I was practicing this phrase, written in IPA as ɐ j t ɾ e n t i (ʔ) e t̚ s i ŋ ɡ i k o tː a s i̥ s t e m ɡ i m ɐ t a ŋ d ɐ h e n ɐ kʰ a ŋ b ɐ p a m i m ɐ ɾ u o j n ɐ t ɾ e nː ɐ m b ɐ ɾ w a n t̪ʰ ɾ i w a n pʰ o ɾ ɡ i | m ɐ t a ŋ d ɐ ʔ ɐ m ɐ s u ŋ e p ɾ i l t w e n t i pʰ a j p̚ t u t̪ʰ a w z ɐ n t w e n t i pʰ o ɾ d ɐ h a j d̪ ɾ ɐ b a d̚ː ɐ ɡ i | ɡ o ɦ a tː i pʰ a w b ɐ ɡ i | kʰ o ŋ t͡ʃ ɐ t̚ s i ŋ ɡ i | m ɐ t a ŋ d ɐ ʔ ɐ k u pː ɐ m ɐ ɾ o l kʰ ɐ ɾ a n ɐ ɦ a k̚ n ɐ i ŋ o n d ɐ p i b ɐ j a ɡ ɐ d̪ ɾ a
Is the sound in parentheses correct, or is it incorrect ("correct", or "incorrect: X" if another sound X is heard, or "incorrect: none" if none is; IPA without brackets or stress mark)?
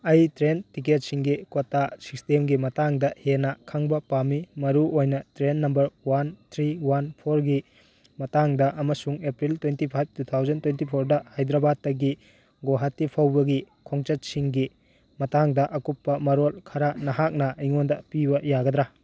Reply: incorrect: k